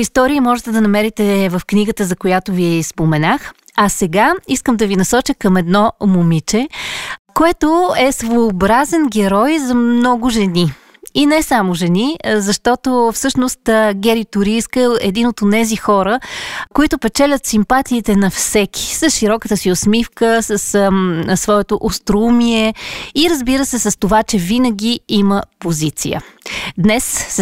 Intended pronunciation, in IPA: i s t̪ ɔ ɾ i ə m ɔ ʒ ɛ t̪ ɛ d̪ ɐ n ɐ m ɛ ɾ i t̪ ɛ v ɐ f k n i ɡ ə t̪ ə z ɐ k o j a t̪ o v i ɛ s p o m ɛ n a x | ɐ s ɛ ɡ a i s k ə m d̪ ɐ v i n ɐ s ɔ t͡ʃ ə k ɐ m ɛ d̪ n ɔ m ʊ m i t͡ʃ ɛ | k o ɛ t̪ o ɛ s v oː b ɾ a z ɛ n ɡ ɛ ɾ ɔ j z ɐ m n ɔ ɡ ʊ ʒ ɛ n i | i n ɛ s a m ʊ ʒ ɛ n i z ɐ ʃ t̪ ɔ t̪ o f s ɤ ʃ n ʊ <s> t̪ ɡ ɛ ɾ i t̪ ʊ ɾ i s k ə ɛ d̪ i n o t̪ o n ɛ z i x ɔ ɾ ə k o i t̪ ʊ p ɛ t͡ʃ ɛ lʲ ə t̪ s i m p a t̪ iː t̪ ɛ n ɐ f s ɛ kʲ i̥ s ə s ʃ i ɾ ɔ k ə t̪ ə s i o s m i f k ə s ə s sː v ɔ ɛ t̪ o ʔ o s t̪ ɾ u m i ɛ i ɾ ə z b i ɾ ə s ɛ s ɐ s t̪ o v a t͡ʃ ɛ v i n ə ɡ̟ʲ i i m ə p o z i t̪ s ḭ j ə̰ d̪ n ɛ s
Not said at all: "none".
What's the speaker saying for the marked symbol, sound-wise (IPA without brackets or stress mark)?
s